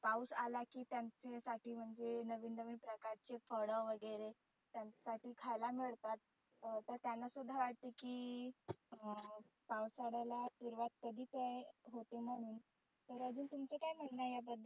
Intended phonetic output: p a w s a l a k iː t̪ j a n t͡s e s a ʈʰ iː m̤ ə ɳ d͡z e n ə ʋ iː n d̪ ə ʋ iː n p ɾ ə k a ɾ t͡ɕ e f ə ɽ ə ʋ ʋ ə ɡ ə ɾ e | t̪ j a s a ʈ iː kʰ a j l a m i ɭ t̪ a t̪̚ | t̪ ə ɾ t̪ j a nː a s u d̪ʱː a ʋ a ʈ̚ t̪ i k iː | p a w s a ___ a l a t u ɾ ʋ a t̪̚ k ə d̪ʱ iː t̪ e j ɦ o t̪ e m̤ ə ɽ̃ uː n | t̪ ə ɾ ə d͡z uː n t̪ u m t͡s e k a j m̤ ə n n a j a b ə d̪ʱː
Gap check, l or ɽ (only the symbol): ɽ